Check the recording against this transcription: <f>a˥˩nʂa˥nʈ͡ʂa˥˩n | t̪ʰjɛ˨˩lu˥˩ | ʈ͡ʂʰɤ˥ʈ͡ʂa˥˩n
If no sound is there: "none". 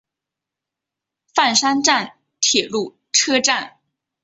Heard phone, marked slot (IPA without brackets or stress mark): f